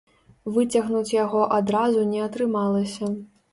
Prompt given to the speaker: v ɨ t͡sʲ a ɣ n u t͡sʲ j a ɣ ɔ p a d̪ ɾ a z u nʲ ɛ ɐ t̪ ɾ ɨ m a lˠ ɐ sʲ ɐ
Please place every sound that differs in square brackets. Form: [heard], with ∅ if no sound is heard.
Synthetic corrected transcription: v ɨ t͡sʲ [ɐ] ɣ n u t͡sʲ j a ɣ ɔ [ʔ] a d̪ ɾ a z u nʲ ɛ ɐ t̪ ɾ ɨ m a lˠ ɐ sʲ ɐ